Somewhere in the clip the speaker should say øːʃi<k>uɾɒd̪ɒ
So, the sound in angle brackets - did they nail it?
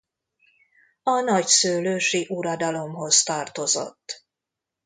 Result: no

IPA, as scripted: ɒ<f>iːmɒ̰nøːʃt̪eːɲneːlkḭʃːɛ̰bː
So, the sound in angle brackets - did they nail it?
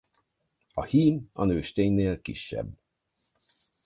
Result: no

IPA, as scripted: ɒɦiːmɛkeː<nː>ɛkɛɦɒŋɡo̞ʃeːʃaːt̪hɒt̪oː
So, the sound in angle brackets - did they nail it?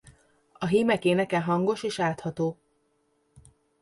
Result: no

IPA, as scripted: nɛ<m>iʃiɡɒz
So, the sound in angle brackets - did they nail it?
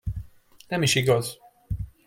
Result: yes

